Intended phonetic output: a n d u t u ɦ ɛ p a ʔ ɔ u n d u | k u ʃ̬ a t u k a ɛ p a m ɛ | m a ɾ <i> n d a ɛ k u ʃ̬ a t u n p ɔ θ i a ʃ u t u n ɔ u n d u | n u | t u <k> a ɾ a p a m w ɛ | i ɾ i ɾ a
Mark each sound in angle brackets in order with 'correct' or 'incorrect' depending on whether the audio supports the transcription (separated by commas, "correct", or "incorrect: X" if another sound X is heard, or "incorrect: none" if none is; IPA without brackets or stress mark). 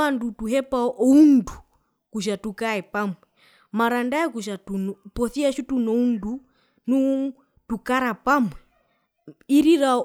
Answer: incorrect: a, correct